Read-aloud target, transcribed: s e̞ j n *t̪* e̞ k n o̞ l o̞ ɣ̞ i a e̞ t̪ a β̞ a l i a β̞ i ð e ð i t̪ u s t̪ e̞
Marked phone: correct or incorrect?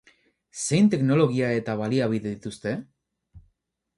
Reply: correct